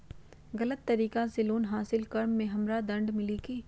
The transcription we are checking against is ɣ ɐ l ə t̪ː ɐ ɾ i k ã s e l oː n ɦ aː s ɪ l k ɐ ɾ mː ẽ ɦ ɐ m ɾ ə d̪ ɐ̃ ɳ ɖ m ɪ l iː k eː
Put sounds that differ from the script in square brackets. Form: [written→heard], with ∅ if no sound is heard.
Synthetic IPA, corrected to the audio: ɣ ɐ l ə t̪ː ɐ ɾ [i→iː] k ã s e l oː n ɦ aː s ɪ l k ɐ ɾ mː ẽ ɦ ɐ m ɾ [ə→a] d̪ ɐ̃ ɳ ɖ m ɪ l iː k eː